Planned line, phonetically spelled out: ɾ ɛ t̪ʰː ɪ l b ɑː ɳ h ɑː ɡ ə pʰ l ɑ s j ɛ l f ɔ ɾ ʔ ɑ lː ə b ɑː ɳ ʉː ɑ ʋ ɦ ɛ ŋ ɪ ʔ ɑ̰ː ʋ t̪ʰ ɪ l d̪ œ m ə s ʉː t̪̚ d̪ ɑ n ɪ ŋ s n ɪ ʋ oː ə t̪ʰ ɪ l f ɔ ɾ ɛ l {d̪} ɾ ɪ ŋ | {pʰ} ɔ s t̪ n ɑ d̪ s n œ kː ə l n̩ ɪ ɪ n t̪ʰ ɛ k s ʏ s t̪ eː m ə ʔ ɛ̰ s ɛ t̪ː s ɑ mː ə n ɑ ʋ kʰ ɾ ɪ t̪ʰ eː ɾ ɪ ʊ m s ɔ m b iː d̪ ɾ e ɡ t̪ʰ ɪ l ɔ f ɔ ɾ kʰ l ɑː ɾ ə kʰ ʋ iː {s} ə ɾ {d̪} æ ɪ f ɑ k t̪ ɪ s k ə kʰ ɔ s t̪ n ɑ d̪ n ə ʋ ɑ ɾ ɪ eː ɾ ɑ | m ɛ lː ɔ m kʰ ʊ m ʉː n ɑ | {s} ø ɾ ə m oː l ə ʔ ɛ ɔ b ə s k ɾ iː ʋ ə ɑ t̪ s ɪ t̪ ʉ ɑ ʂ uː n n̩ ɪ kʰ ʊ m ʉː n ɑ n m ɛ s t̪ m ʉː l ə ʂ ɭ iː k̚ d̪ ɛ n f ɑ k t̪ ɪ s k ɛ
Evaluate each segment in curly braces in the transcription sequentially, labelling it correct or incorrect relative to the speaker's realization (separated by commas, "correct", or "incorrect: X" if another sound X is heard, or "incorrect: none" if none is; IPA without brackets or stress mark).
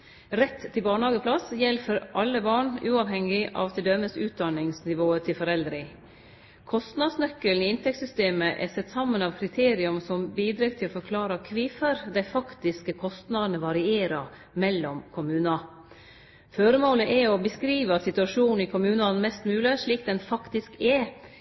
correct, incorrect: kʰ, incorrect: f, correct, incorrect: f